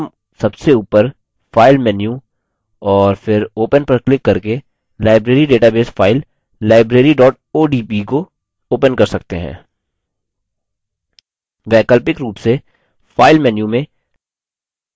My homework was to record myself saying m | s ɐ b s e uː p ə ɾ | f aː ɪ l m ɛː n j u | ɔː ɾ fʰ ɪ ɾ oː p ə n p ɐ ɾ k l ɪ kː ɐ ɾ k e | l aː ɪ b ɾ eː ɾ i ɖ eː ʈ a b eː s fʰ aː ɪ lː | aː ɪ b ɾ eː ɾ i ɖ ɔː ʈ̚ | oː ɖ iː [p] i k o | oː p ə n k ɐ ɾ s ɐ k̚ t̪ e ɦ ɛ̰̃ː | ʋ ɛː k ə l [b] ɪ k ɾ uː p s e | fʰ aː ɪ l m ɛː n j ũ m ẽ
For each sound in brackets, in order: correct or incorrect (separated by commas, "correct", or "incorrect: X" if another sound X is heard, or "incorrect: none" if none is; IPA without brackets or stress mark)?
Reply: correct, incorrect: p